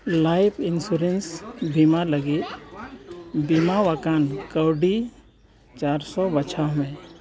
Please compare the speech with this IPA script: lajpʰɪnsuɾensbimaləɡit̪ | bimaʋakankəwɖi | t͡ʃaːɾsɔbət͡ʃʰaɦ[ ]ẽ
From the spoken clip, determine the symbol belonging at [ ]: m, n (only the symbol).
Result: m